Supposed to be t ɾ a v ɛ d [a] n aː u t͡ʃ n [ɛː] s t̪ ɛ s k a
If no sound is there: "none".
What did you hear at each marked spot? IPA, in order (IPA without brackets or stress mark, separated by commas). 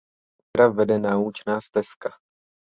ɛ, aː